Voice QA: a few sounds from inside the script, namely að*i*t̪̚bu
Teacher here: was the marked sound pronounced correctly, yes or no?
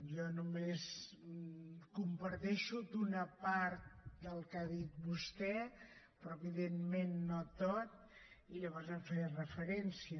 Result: yes